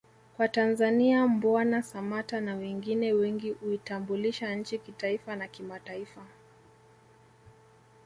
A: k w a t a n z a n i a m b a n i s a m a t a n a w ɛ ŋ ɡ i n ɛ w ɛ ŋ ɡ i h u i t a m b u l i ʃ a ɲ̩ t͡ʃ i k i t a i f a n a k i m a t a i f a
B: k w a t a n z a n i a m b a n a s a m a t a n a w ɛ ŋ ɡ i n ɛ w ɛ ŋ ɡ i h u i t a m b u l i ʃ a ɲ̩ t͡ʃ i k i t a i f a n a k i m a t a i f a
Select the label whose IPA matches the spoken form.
B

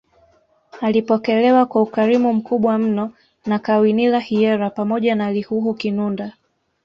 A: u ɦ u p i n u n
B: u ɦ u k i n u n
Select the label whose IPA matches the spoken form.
B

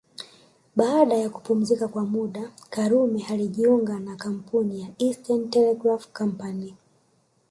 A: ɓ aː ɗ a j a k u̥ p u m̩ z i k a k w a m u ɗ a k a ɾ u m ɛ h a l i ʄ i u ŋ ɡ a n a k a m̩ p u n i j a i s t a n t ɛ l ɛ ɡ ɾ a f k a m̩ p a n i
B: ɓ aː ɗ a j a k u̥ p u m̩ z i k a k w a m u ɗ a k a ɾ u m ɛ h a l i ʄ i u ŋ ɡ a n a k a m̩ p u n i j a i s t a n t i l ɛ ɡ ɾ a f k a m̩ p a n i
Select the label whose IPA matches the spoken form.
A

